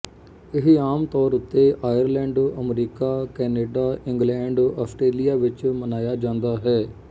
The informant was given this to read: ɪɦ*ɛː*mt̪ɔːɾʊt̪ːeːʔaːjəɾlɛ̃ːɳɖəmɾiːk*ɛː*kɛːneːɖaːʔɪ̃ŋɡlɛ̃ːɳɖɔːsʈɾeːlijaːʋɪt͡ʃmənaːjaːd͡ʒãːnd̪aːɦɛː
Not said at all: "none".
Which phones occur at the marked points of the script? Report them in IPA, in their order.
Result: aː, aː

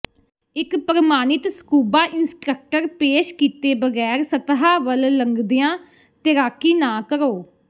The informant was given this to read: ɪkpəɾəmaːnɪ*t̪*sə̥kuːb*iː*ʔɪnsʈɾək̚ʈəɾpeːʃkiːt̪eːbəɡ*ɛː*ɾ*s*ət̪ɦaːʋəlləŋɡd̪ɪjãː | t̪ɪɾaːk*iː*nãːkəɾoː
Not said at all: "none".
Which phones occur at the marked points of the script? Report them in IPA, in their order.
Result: t̪, aː, ɛː, s, iː

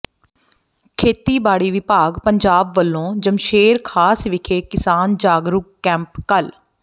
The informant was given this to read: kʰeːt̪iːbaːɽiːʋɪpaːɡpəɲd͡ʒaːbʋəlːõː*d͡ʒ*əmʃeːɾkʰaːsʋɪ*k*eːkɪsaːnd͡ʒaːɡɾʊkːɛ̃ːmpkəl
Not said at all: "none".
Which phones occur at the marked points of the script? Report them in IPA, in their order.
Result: d͡ʒ, kʰ

